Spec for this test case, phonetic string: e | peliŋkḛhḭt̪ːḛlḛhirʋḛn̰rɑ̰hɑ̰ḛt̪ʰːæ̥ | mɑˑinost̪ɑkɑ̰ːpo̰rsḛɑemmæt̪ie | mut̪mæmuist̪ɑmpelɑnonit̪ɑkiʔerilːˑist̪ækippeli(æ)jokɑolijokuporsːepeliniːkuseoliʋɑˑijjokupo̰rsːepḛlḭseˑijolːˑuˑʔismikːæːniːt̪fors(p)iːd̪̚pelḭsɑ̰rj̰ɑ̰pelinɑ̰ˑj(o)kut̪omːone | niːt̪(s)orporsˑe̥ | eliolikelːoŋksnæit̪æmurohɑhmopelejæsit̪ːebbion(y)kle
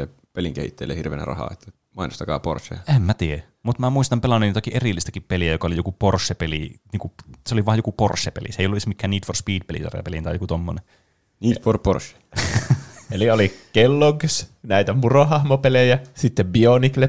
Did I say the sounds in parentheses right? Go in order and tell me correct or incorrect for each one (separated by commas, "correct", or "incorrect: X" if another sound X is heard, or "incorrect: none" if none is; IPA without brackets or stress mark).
correct, correct, correct, incorrect: f, incorrect: i